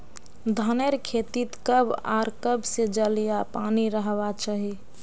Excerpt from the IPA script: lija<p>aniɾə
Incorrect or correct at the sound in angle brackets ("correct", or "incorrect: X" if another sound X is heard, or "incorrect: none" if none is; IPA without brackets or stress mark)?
correct